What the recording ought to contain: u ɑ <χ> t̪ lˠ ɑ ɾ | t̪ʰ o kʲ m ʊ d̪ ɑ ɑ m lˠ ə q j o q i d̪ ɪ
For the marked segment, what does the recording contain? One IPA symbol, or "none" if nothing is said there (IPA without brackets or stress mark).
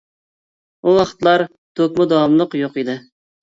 χ